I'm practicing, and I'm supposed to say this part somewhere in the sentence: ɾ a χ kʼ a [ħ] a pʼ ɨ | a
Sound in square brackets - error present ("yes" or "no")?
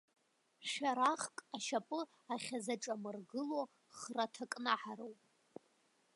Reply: yes